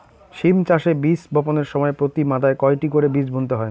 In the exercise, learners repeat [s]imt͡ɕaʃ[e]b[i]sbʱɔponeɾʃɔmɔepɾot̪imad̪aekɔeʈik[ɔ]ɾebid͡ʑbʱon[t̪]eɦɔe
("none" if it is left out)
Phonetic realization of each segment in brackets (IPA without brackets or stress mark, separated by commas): ʃ, e, i, o, t̪